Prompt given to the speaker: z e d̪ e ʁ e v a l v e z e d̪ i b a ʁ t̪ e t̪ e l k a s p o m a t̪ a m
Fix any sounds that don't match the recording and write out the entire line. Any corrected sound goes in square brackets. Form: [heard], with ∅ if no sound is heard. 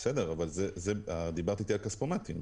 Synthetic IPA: [s] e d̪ e ʁ [a] v a l [z] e z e d̪ i b a ʁ t̪ [i] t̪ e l k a s p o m a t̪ [i] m